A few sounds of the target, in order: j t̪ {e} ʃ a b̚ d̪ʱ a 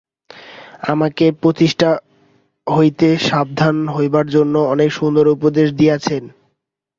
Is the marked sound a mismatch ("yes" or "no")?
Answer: no